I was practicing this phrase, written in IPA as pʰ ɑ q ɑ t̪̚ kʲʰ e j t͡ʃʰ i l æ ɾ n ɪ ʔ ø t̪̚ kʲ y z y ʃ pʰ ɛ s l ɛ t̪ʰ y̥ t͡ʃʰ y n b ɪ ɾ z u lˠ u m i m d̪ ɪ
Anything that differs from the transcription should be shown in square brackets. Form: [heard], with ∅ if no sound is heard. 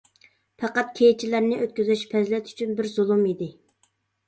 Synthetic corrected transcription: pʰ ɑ q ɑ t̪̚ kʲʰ e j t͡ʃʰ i l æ ɾ n ɪ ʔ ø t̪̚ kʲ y z y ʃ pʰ ɛ [z] l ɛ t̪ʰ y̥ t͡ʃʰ y n b ɪ ɾ z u lˠ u m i [∅] d̪ ɪ